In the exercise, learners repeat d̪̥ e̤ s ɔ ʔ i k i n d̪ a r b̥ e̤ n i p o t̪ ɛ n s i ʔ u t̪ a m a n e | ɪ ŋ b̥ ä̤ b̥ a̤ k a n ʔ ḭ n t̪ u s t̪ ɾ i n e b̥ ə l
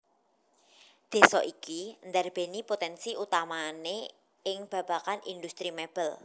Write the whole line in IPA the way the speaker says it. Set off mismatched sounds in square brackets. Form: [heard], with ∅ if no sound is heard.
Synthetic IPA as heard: d̪̥ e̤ s ɔ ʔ i k i n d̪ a r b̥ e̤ n i p o t̪ ɛ n s i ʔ u t̪ a m a n e | ɪ ŋ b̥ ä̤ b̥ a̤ k a n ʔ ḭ n [d̪] u s t̪ ɾ i [m] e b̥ ə l